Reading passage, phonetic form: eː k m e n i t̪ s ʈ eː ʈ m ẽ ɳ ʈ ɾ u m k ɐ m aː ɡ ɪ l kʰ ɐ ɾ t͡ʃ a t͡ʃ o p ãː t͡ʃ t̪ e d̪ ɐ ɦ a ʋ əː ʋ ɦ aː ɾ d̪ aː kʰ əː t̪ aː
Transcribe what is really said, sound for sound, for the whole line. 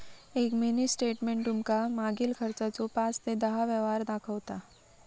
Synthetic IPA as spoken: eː k m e n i s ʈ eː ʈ m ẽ ɳ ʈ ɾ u m k a m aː ɡ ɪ l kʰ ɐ ɾ t͡ʃ a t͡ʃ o p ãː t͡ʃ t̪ e d̪ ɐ ɦ a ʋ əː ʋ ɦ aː ɾ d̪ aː kʰ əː t̪ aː